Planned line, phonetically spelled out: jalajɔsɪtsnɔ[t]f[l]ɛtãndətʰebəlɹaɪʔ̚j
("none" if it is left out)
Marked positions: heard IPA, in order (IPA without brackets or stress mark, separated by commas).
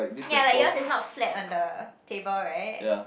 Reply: t, l